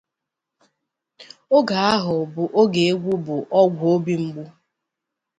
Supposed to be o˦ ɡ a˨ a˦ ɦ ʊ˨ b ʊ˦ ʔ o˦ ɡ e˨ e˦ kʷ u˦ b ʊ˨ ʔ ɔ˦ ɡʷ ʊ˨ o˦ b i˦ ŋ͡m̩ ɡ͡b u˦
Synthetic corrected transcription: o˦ ɡ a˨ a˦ ɦ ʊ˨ b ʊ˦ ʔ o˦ ɡ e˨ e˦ ɡʷ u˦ b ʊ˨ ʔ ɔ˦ ɡʷ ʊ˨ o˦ b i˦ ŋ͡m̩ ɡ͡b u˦